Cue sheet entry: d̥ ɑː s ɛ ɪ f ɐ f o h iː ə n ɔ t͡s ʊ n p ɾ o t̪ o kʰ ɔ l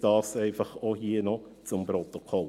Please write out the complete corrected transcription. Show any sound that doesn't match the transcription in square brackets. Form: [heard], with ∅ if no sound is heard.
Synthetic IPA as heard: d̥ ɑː s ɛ ɪ f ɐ [χ] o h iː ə n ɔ t͡s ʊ [m] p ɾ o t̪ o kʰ ɔ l